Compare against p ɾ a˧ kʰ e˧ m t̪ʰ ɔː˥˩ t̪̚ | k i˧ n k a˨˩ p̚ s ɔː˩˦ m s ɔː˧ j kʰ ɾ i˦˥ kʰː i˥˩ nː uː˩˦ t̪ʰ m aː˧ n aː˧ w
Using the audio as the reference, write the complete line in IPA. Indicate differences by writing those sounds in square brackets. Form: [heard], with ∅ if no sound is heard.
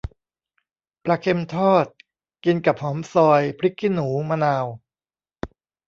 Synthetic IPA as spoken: p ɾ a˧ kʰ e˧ m t̪ʰ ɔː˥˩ t̪̚ | k i˧ n k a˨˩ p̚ [h] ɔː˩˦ m s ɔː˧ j [pʰ] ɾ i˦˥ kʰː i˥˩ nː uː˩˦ [∅] m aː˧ n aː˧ w